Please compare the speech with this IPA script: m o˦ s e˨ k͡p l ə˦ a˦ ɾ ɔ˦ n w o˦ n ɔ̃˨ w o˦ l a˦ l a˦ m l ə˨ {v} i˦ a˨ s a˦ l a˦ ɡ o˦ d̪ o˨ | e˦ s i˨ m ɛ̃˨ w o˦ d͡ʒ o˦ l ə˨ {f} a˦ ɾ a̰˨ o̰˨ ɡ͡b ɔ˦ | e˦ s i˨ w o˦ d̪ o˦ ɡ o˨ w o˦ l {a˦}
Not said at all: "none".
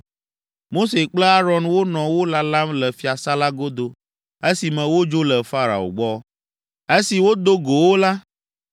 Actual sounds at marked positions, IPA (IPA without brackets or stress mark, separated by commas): f, f, a˦